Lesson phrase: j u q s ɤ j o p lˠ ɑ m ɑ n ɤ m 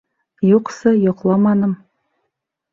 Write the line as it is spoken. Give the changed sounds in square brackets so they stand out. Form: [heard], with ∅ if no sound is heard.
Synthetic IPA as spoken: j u q s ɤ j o [q] lˠ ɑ m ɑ n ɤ m